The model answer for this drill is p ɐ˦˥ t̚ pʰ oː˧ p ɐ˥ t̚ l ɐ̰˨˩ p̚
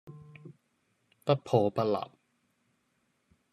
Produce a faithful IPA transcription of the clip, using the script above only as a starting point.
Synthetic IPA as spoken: p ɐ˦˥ t̚ pʰ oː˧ p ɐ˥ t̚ l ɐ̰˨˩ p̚